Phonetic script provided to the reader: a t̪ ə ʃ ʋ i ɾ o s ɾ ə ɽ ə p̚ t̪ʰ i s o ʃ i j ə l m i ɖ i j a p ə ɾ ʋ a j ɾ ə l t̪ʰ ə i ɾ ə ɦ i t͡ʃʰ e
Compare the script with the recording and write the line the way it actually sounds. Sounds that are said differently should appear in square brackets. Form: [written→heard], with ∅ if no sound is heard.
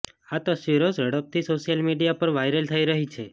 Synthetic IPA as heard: a t̪ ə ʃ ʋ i ɾ o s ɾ ə ɽ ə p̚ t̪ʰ i s o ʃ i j ə l m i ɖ i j a p ə ɾ ʋ a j ɾ ə l t̪ʰ ə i ɾ ə ɦ i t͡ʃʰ e